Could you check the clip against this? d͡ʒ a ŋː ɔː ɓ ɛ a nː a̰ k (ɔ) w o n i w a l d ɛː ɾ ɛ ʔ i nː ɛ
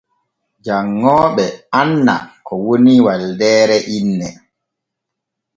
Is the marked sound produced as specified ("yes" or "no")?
yes